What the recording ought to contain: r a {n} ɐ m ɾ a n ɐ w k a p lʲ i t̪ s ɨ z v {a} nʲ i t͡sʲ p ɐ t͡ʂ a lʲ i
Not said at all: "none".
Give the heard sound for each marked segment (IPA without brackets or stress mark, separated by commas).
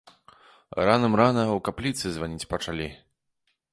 n, a